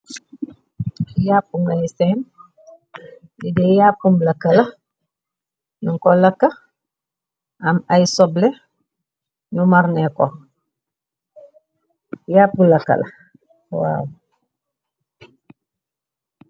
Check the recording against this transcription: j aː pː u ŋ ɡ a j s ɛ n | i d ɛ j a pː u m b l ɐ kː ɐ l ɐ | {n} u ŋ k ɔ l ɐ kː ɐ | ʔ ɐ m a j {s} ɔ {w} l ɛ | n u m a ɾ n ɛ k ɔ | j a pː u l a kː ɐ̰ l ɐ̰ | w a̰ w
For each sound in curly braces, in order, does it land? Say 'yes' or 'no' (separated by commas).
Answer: yes, yes, no